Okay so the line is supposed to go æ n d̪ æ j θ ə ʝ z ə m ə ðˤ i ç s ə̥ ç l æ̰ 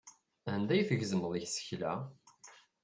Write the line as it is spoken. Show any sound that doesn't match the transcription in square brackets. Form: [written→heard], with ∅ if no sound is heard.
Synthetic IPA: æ n d̪ æ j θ ə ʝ z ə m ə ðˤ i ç s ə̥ ç l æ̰